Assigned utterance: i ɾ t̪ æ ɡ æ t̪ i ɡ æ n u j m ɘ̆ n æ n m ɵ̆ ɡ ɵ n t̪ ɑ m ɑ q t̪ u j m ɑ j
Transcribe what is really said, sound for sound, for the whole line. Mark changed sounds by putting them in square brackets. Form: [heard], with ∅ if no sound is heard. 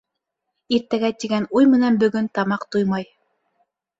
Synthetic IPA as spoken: i ɾ t̪ æ ɡ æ t̪ i ɡ æ n u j m ɘ̆ n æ n [b] ɵ̆ ɡ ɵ n t̪ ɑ m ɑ q t̪ u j m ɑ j